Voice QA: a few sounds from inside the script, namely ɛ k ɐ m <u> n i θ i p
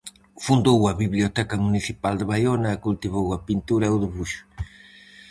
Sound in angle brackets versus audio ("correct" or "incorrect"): correct